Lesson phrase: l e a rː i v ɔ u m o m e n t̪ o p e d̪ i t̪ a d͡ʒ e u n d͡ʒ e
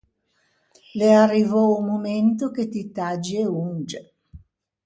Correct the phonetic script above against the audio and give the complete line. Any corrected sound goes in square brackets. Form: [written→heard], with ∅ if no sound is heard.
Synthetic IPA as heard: l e a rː i v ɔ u m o m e n t̪ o [p→k] e [d̪→t̪] i t̪ a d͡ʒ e u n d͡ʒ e